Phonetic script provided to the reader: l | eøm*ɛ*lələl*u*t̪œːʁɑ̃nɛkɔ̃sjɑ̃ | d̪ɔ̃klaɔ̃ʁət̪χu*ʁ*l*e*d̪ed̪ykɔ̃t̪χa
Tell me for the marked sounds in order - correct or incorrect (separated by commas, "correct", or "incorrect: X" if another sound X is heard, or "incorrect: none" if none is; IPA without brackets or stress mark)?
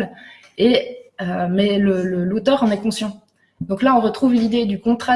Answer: correct, incorrect: o, incorrect: v, incorrect: i